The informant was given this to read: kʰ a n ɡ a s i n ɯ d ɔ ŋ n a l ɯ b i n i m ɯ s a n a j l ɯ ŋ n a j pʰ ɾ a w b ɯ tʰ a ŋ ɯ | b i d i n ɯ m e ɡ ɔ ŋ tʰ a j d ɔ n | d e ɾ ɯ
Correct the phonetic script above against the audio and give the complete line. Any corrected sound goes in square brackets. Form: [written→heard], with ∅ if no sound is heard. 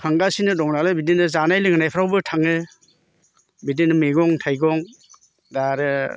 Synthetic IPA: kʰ a [n→ŋ] ɡ a s i n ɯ d ɔ ŋ n a l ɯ b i [n→d] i [m→n] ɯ [s→z] a n a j l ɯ ŋ n a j pʰ ɾ a w b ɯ tʰ a ŋ ɯ | b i d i n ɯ m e ɡ ɔ ŋ tʰ a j [d→ɡ] ɔ [n→ŋ] | d [e→a] ɾ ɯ